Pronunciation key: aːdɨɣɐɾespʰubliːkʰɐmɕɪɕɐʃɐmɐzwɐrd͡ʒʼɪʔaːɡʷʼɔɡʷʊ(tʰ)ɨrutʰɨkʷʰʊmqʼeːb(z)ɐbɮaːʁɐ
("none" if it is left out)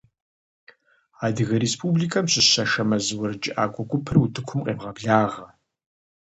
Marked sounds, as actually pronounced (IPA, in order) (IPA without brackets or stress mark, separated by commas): pʰ, ʁ